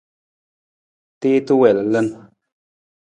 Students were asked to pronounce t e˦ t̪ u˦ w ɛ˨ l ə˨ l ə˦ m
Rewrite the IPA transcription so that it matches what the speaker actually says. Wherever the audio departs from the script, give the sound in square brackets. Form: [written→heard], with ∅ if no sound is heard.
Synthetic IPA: t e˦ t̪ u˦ w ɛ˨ l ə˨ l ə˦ [m→n]